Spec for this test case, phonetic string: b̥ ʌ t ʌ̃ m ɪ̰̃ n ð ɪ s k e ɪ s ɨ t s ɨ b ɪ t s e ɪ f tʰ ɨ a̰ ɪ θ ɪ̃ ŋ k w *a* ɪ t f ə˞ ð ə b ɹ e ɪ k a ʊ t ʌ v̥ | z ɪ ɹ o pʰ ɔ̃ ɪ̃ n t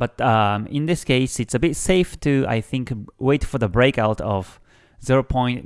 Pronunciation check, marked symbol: incorrect: e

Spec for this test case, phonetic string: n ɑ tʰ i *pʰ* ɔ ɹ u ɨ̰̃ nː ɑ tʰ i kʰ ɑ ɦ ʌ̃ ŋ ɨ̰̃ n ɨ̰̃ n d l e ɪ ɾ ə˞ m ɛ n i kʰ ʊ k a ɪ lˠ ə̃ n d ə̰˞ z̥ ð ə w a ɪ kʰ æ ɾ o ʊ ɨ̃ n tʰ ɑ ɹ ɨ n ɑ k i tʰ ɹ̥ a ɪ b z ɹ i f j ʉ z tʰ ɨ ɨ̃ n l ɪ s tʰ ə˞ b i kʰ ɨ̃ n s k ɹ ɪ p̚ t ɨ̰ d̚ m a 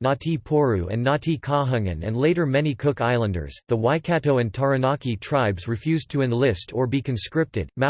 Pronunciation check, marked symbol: correct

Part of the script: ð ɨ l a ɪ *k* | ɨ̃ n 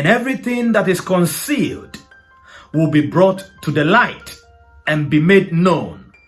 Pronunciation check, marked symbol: incorrect: t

